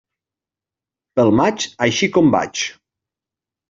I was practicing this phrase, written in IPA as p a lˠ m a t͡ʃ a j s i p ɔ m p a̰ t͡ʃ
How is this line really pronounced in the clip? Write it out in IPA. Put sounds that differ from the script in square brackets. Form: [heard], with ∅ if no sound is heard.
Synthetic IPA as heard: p [ə] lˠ m a t͡ʃ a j [ʃ] i [k] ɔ m [b] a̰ t͡ʃ